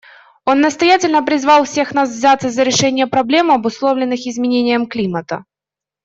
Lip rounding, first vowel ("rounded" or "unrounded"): rounded